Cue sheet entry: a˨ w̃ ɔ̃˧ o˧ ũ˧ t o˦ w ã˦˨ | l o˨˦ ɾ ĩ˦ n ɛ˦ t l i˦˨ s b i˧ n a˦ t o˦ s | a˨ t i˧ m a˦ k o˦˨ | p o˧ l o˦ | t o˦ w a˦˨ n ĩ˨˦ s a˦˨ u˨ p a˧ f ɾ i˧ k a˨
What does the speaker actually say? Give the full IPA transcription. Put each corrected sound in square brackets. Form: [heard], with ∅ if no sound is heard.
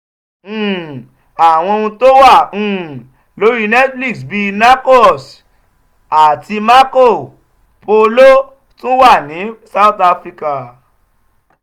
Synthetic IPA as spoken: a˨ w̃ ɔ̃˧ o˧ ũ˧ t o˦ w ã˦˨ | l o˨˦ ɾ [i˦] n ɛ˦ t l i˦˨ s b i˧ n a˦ [k] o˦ s | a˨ t i˧ m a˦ k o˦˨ | p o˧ l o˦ | t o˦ w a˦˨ n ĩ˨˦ s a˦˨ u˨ [t] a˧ f ɾ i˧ k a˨